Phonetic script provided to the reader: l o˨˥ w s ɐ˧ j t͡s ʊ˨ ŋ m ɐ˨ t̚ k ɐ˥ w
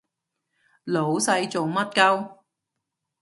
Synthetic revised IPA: l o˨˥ w s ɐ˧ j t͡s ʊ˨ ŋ m ɐ˥ t̚ k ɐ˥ w